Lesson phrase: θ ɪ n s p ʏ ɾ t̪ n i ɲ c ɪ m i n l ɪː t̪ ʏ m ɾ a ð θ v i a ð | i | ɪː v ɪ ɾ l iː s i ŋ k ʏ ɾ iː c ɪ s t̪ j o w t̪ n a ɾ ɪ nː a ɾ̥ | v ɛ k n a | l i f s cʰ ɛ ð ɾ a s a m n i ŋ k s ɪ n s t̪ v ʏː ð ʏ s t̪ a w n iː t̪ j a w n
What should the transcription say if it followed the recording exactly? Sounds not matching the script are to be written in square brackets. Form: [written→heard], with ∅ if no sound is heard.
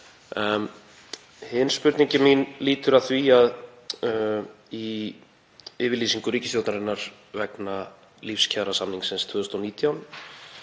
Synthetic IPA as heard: [θ→h] ɪ n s p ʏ ɾ t̪ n i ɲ c ɪ m i n l [ɪː→iː] t̪ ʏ [m→∅] ɾ a ð θ v i a ð | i | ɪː v ɪ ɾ l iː s i ŋ k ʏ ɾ iː c ɪ s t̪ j o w t̪ n a ɾ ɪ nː a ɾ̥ | v ɛ k n a | l i f s cʰ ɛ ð ɾ a s a m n i ŋ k s ɪ n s [t̪→t̪ʰ] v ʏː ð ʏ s t̪ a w n iː t̪ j a w n